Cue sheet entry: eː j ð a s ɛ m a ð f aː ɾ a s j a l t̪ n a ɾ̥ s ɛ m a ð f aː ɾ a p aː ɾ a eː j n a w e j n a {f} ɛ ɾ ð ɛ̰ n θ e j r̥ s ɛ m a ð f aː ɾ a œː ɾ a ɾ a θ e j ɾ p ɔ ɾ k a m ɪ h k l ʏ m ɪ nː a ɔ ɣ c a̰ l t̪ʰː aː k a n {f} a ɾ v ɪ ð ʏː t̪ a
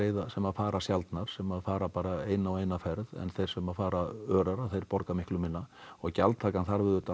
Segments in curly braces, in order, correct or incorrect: correct, incorrect

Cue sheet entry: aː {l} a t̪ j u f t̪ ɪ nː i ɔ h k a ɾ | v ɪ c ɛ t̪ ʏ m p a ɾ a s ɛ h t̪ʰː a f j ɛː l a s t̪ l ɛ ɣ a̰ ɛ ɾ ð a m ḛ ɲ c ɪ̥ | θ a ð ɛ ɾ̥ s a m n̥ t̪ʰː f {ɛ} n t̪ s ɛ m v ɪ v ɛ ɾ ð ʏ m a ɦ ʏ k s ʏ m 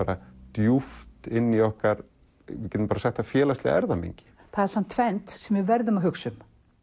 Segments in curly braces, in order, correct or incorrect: incorrect, correct

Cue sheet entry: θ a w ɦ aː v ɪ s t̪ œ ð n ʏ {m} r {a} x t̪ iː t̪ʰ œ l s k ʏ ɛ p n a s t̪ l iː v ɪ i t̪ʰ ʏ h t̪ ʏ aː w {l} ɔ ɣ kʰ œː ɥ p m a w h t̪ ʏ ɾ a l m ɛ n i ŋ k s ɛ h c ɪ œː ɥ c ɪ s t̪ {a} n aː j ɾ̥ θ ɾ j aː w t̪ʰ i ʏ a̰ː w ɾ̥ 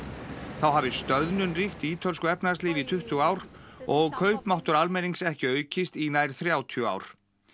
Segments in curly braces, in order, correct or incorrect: incorrect, incorrect, incorrect, incorrect

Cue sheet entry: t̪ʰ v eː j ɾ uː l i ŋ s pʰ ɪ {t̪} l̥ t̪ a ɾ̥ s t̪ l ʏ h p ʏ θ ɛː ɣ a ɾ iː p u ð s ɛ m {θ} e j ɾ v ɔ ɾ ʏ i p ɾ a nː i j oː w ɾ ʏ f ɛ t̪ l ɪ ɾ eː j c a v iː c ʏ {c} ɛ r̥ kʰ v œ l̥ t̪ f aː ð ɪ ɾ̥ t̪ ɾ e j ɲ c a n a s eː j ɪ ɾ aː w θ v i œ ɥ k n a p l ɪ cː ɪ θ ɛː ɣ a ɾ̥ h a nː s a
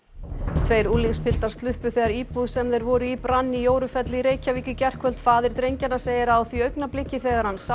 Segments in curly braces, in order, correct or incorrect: incorrect, incorrect, correct

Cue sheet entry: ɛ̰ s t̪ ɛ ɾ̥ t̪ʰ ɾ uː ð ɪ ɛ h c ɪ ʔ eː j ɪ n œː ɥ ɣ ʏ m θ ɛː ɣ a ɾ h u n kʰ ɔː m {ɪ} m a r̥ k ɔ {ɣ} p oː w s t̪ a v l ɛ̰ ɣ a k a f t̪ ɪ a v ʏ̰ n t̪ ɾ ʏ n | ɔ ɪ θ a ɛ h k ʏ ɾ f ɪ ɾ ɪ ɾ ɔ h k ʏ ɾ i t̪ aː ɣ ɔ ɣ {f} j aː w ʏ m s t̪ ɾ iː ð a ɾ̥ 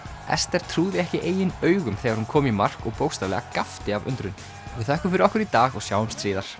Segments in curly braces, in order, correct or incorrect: incorrect, correct, incorrect

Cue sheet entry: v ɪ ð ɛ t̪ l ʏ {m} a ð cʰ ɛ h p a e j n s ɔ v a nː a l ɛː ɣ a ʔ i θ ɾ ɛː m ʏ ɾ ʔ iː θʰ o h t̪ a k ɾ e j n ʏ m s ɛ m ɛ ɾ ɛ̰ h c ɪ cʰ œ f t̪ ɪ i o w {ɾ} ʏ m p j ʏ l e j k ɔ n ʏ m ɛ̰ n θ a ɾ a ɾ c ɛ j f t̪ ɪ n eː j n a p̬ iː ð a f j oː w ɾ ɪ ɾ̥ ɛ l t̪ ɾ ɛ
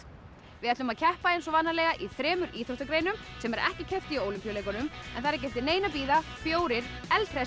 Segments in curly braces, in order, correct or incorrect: correct, incorrect

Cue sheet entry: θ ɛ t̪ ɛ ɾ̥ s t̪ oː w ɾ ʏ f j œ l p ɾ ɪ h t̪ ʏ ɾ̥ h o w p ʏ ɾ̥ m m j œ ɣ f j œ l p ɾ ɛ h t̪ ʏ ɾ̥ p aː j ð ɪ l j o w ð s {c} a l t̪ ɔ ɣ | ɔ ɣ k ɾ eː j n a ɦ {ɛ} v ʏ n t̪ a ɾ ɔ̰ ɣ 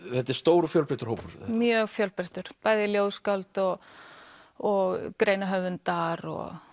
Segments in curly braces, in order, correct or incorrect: incorrect, incorrect

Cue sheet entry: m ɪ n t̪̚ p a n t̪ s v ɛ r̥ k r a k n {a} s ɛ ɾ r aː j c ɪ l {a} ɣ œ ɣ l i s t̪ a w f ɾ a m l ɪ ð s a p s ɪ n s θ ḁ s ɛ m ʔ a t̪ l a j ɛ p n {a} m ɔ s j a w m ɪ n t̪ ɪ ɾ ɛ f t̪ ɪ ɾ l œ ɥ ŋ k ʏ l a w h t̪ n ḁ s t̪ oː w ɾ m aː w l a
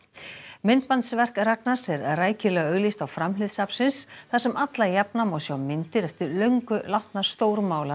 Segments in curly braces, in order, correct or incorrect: correct, incorrect, correct

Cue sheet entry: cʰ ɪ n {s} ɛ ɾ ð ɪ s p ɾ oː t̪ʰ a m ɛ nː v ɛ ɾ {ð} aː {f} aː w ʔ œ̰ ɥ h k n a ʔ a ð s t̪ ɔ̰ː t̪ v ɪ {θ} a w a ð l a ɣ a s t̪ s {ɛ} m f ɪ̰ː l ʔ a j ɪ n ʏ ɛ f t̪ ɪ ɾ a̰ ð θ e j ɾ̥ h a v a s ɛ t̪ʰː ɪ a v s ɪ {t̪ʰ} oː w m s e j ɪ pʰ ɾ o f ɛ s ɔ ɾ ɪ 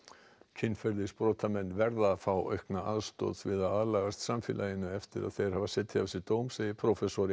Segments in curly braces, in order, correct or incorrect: incorrect, correct, correct, incorrect, incorrect, incorrect

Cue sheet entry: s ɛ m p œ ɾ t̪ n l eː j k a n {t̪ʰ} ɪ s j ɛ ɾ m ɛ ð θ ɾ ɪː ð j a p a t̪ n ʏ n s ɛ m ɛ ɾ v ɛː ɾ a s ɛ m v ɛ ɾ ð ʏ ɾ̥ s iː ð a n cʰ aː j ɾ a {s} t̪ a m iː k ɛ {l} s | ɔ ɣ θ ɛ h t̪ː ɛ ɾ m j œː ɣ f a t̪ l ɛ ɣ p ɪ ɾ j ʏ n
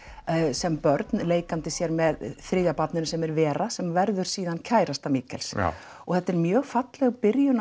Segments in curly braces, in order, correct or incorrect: incorrect, correct, correct

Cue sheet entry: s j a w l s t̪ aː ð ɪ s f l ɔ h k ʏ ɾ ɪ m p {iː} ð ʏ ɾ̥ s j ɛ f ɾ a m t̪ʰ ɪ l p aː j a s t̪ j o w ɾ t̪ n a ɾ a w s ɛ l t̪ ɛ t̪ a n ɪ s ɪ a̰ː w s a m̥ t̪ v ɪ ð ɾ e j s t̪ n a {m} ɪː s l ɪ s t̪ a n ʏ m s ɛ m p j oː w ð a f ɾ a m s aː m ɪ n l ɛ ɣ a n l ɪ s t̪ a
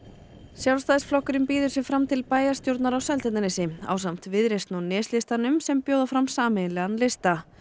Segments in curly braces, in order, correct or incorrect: correct, incorrect

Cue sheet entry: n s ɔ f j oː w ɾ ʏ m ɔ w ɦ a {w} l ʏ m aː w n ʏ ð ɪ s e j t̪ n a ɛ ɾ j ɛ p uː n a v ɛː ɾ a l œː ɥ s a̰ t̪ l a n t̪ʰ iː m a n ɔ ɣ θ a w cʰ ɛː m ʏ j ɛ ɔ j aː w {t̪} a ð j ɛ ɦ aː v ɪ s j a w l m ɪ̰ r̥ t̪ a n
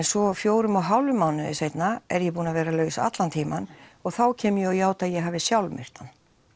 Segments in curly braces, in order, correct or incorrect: correct, correct

